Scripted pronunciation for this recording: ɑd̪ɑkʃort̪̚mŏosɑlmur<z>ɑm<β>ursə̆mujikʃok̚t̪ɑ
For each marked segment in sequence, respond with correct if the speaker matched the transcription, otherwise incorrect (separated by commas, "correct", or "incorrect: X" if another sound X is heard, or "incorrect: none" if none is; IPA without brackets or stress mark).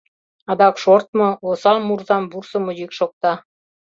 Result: correct, incorrect: b